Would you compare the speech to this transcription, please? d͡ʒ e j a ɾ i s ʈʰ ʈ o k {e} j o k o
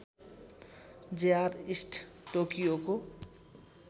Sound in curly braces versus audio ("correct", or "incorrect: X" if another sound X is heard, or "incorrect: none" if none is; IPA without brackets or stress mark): incorrect: i